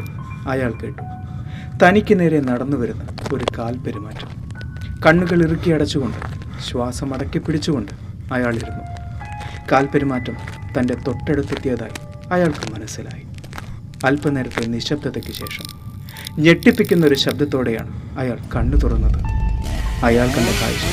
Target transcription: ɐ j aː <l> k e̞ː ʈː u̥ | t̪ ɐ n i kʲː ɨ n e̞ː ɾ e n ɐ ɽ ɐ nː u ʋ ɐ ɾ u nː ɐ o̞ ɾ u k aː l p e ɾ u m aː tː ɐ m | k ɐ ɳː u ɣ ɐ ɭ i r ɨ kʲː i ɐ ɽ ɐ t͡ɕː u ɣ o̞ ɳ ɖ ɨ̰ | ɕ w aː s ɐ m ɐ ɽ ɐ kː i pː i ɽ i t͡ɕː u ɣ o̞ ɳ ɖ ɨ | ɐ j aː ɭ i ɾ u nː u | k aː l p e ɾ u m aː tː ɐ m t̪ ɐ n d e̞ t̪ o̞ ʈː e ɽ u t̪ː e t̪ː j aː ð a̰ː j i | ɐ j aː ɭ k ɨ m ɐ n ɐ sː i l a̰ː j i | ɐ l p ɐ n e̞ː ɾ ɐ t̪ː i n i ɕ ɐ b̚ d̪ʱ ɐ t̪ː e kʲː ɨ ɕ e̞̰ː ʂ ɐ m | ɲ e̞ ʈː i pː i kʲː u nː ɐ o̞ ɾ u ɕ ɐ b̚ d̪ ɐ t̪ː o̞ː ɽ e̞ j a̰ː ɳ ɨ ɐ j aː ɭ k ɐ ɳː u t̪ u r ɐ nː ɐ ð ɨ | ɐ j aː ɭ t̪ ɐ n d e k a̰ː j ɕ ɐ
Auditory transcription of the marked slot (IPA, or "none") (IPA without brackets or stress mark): ɭ